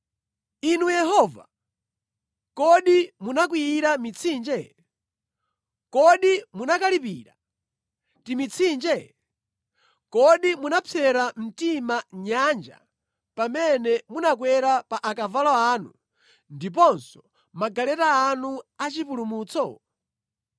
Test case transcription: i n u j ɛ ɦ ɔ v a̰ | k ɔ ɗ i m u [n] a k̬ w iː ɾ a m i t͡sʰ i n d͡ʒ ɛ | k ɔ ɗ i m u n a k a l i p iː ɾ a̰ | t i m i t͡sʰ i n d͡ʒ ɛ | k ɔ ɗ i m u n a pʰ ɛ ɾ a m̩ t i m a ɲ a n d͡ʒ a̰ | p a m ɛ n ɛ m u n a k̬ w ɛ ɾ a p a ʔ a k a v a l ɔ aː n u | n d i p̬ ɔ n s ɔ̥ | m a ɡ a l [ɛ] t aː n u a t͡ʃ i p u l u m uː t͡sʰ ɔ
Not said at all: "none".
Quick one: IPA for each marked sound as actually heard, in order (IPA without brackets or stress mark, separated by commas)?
n, ɛ